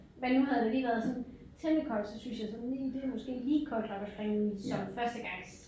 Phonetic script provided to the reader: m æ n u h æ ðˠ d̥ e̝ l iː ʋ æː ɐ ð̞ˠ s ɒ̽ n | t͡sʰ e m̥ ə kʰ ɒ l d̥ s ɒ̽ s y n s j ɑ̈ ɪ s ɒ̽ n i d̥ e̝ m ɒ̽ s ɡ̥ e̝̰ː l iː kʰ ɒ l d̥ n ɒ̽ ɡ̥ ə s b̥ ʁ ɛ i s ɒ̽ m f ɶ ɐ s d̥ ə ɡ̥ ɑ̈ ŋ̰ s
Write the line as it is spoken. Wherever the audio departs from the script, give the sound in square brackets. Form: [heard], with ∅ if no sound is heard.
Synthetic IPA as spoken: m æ n u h æ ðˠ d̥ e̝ l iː ʋ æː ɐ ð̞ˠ s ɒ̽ n | t͡sʰ e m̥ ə kʰ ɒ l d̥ s ɒ̽ s y n s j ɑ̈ ɪ s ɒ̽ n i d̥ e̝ m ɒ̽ s ɡ̥ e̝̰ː l iː kʰ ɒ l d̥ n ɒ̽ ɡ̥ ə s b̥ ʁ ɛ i s ɒ̽ m f ɶ ɐ s d̥ ə ɡ̥ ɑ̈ ŋ̰ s